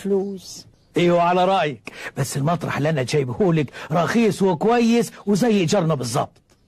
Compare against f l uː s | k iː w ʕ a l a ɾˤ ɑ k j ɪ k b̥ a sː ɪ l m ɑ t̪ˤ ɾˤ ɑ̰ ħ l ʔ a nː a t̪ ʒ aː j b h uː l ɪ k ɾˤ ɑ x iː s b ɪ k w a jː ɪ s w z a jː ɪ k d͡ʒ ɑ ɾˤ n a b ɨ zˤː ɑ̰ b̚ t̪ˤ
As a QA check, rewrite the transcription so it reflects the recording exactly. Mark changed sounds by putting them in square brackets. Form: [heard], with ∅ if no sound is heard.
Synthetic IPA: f l uː s | [ʔ] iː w ʕ a l a ɾˤ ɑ [ʔ] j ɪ k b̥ a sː ɪ l m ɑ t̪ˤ ɾˤ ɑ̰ ħ l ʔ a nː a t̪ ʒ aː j b h uː l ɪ k ɾˤ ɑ x iː s [w] ɪ k w a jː ɪ s w z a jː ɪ [ʔ] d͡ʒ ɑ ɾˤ n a b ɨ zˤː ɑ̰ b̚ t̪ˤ